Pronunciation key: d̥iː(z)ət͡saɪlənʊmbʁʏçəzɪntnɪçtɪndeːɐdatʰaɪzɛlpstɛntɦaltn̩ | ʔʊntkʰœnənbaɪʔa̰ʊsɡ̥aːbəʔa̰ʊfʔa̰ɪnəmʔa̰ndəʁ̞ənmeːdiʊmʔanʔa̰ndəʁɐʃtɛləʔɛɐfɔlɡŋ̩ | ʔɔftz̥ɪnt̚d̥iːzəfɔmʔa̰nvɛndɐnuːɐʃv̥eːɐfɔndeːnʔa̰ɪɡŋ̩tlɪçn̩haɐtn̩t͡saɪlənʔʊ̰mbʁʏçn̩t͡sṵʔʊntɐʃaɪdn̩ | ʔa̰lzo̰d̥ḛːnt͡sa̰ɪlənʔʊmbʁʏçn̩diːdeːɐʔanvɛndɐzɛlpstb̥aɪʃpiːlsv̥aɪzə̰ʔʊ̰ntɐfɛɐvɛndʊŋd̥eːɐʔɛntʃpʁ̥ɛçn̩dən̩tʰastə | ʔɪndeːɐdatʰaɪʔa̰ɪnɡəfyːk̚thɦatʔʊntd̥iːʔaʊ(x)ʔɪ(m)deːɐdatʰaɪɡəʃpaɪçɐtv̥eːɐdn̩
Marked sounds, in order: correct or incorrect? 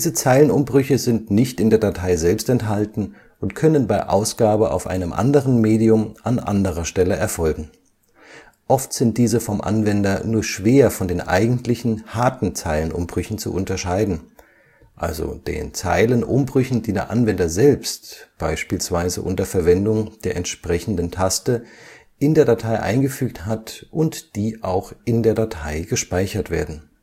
correct, correct, incorrect: n

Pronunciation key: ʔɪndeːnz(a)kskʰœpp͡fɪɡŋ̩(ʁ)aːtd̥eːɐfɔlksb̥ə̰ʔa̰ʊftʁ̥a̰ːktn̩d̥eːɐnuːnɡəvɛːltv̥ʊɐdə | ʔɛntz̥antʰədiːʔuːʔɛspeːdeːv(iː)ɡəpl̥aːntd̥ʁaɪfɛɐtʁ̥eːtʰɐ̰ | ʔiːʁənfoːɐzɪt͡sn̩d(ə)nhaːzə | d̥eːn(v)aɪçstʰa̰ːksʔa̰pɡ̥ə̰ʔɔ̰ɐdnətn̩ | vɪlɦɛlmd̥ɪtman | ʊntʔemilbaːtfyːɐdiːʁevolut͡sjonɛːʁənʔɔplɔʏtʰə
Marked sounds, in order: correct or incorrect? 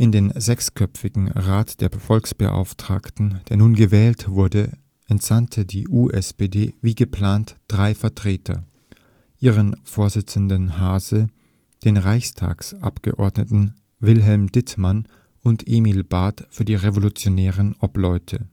incorrect: ɛ, correct, correct, correct, incorrect: ʁ

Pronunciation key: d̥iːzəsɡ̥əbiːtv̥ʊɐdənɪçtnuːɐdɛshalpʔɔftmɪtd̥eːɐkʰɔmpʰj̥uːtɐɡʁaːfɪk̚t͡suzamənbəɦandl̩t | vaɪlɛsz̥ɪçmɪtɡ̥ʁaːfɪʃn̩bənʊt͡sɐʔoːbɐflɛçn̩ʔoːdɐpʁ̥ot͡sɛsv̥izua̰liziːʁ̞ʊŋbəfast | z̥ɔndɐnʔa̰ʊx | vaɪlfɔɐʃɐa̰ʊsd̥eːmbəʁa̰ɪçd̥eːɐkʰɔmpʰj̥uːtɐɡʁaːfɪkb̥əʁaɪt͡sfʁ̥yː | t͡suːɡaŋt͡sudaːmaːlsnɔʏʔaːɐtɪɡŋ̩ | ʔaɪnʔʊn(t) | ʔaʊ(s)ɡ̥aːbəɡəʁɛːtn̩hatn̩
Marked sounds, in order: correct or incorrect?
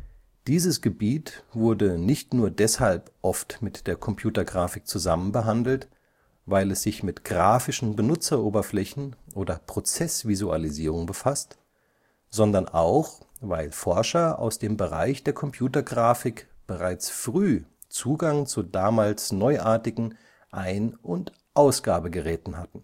correct, correct

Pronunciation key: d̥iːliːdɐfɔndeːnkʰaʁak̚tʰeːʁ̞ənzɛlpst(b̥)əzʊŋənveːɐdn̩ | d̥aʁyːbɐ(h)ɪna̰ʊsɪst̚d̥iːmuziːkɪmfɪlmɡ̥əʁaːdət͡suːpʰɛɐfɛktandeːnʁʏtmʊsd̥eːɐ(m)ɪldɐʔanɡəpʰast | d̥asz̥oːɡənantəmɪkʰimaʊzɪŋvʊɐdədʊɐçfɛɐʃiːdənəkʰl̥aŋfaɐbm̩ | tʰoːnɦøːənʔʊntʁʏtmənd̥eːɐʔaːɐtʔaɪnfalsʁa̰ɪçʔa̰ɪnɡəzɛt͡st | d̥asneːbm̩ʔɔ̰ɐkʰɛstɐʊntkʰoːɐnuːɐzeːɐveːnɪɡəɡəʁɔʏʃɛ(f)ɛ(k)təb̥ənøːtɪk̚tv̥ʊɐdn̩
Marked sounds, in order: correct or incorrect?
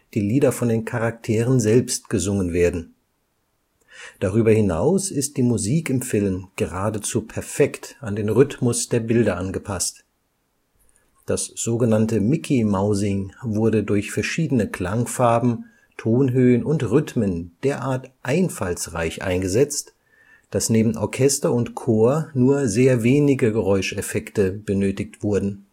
incorrect: ɡ̥, correct, incorrect: b, correct, correct

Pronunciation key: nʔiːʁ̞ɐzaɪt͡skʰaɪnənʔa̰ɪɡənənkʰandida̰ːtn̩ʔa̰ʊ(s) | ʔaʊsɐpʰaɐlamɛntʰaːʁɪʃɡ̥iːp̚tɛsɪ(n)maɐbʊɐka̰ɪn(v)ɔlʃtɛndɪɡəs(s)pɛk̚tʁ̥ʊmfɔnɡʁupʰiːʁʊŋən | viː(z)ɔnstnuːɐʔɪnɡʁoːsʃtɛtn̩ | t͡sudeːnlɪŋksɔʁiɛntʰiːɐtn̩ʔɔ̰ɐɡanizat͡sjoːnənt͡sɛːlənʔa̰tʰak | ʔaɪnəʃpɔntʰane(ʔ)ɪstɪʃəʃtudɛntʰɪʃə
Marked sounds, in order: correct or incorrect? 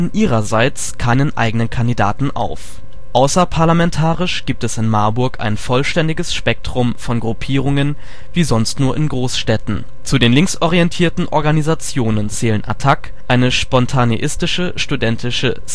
incorrect: f, correct, incorrect: f, incorrect: ʃ, correct, correct

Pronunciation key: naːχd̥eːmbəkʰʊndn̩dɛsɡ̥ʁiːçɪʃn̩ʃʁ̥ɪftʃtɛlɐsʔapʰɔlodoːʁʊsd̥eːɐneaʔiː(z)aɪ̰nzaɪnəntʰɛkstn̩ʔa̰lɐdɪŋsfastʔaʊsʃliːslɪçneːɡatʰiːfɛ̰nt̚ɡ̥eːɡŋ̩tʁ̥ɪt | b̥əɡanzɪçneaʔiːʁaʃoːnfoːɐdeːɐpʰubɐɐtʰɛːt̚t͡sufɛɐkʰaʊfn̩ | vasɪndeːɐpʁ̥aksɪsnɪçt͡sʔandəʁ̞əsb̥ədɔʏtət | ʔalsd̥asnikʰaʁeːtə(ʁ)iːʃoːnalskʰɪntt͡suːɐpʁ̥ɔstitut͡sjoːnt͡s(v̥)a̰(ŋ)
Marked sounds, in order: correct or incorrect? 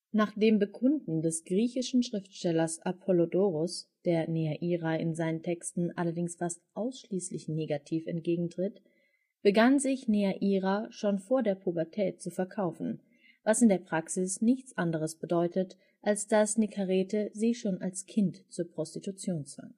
incorrect: ʁ, incorrect: z, correct, correct

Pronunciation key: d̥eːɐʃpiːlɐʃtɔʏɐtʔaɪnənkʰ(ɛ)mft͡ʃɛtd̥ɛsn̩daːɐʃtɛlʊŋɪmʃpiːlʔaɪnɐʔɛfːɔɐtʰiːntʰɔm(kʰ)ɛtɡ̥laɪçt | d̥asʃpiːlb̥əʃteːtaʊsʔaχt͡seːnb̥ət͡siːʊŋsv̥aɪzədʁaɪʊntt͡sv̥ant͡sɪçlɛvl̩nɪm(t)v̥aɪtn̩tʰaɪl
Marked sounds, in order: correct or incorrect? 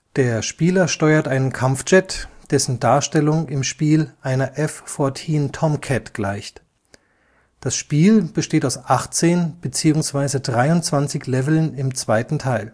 incorrect: a, correct, incorrect: t͡s

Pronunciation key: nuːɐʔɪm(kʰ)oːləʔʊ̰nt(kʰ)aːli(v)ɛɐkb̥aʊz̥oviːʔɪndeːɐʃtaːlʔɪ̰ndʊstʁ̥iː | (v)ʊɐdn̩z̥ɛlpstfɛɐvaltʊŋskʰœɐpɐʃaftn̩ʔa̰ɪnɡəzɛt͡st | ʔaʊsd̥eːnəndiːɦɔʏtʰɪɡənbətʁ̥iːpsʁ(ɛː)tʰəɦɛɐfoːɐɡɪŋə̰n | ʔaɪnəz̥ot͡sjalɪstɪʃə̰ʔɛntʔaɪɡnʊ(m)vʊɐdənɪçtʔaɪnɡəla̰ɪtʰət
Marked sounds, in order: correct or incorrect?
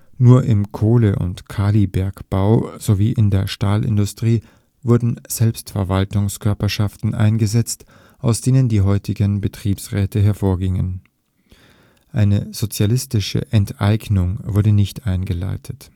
correct, correct, incorrect: b, correct, correct, incorrect: ŋ

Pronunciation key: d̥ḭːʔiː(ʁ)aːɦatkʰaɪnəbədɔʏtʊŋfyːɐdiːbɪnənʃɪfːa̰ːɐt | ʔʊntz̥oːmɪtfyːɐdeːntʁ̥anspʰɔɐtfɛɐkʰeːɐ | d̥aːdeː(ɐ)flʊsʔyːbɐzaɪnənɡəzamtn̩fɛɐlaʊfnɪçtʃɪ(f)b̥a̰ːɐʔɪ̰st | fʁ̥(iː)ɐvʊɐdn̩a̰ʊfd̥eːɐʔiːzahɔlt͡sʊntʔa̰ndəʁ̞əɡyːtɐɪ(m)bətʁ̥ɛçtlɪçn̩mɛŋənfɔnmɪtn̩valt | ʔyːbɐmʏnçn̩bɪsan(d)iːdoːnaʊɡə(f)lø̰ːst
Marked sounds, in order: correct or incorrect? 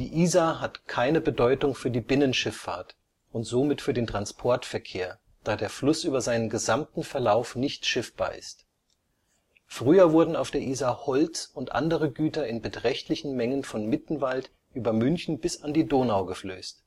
incorrect: z, correct, correct, incorrect: yː, incorrect: n, correct, correct

